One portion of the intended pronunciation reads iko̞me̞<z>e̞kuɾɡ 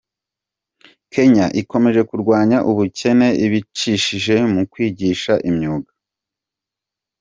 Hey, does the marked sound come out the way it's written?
no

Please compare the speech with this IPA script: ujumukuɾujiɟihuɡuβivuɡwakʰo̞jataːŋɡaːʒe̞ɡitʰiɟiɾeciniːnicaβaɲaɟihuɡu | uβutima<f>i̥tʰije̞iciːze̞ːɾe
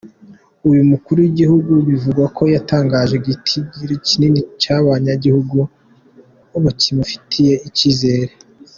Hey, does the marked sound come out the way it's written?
yes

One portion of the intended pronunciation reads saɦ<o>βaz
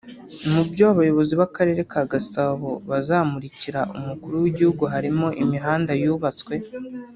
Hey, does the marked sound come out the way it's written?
yes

